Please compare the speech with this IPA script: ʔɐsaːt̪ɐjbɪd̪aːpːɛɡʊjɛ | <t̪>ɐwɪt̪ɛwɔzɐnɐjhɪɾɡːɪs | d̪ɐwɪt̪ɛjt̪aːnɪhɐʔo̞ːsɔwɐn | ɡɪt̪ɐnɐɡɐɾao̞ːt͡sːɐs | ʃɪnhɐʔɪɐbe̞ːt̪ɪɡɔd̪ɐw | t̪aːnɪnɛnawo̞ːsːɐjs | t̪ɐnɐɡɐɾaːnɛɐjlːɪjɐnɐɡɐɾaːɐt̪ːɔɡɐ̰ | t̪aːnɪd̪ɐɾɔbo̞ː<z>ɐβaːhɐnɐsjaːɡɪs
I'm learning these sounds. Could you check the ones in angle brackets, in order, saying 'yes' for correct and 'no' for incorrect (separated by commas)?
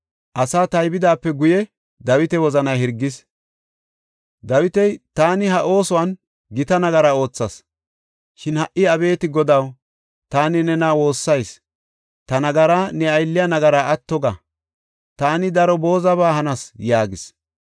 no, yes